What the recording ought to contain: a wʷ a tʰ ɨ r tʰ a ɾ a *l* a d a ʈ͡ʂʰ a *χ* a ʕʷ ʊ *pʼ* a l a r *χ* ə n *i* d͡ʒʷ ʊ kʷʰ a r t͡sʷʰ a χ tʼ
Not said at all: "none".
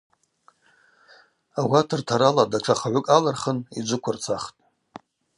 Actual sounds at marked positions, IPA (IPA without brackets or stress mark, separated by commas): l, χ, kʼ, χ, i